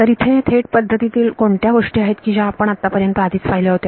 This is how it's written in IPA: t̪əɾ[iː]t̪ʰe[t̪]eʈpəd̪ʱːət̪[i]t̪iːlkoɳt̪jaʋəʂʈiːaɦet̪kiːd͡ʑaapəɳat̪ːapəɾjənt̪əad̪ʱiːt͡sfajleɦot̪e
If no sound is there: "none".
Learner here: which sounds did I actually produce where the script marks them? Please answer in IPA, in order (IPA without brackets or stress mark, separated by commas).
i, t̪ʰ, i